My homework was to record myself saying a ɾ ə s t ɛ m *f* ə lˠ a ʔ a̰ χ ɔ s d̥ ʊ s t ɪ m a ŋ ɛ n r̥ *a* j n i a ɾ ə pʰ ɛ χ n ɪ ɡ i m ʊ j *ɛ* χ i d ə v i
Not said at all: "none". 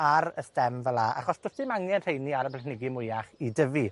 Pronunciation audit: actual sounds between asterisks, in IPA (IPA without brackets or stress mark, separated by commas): v, e, a